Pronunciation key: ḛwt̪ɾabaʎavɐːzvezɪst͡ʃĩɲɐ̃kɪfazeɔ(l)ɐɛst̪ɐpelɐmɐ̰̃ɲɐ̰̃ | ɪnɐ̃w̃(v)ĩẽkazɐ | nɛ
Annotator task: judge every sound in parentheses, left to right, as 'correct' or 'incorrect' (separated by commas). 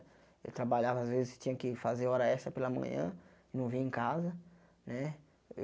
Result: incorrect, correct